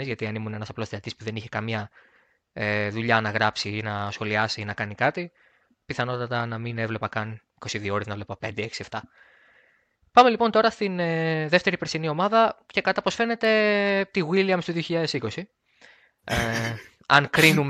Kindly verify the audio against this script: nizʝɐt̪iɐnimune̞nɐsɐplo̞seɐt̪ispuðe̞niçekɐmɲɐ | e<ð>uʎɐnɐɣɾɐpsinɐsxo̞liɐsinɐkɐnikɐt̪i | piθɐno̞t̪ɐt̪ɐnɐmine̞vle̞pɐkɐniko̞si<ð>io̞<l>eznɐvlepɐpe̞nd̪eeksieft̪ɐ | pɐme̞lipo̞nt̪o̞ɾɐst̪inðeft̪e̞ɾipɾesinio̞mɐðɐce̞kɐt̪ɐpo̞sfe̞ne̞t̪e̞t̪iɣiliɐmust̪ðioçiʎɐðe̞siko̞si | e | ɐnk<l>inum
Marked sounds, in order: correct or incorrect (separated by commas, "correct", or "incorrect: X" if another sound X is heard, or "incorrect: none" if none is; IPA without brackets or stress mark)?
correct, correct, incorrect: ɾ, incorrect: ɾ